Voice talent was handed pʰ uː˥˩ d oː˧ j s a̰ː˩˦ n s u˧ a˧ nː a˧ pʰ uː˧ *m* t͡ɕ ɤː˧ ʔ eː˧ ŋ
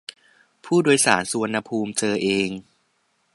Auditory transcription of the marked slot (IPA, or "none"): m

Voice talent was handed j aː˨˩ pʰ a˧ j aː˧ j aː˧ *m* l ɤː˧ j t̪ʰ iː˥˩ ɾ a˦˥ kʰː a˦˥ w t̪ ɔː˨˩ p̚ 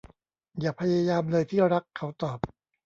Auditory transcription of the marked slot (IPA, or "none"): m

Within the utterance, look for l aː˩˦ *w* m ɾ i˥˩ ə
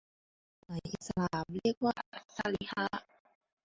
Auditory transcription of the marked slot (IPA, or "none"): none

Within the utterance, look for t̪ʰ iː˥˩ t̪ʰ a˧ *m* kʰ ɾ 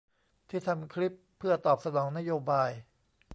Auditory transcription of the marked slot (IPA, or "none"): m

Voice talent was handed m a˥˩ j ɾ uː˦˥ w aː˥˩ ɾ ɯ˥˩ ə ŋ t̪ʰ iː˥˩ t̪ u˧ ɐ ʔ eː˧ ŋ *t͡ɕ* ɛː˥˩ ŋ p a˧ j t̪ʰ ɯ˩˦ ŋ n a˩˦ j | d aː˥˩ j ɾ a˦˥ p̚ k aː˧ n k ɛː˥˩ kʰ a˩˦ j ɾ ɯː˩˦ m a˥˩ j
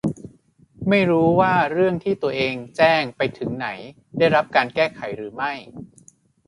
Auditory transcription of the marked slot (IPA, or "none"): t͡ɕ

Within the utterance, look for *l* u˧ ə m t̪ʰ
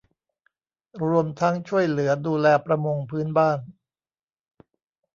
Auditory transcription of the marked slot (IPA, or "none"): ɾ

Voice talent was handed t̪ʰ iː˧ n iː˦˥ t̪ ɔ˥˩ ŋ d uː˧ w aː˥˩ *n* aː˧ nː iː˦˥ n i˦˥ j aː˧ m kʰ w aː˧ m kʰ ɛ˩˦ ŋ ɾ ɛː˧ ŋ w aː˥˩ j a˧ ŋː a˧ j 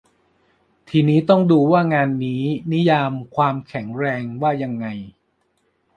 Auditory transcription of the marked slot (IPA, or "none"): ŋ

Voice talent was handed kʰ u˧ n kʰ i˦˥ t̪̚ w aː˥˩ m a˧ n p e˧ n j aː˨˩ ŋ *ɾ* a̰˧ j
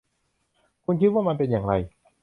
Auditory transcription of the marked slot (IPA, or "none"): ɾ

